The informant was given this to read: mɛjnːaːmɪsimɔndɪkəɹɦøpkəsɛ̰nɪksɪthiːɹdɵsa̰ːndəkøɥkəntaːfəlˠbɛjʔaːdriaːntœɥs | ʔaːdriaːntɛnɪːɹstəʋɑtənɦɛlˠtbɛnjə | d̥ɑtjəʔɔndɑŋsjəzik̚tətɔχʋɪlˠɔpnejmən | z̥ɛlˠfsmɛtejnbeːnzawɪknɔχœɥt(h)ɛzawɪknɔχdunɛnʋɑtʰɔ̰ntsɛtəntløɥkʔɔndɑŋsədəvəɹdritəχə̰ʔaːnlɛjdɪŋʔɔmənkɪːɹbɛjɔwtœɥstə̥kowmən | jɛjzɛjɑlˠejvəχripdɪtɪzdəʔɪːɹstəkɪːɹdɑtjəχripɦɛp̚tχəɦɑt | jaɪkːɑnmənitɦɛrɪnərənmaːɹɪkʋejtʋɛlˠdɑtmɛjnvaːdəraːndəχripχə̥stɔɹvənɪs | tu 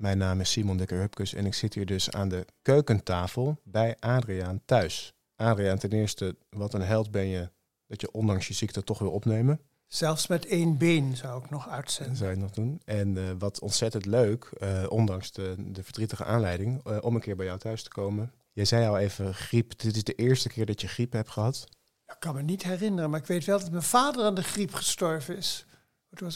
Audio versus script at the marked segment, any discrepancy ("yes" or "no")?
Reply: yes